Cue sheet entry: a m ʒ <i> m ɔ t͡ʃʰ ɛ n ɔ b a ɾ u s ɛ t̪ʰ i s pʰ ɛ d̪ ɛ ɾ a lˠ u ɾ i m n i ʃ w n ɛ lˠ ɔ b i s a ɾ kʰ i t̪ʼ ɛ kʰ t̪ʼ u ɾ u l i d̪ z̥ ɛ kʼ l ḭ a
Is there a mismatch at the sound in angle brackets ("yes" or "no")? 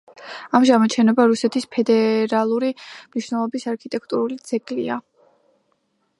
yes